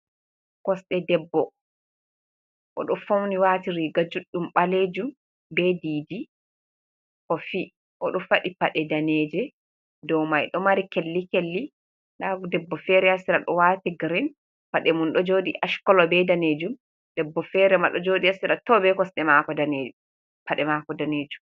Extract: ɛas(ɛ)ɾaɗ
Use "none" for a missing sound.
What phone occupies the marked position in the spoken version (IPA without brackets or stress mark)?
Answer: i